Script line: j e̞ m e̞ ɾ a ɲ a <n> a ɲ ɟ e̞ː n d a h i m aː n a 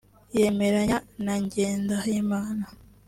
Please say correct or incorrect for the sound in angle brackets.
correct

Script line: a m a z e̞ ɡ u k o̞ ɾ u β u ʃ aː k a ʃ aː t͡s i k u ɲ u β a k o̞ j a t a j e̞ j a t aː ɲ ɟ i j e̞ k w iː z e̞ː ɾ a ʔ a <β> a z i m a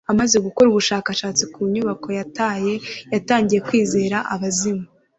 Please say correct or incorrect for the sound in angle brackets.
correct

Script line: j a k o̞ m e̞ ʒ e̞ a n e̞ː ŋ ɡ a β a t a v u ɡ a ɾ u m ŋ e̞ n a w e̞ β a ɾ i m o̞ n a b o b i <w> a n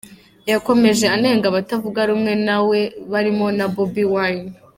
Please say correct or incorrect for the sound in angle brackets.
correct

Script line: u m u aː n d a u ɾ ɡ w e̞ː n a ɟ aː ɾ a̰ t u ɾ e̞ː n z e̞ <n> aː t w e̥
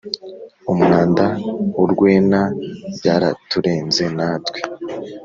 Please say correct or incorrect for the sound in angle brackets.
correct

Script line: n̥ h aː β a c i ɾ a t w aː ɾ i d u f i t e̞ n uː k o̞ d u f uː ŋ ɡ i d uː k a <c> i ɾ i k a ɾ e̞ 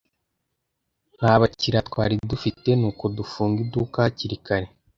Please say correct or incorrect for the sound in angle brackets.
correct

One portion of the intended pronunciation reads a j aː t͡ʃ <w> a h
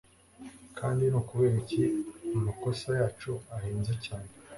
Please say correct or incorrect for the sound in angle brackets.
incorrect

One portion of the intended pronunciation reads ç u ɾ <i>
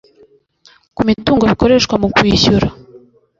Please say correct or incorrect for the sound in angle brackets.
incorrect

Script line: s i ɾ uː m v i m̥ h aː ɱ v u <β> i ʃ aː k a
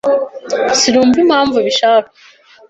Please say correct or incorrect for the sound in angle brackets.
correct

